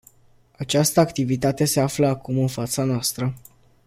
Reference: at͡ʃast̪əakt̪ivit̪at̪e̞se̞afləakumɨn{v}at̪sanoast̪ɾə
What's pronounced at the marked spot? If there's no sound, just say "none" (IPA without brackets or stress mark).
f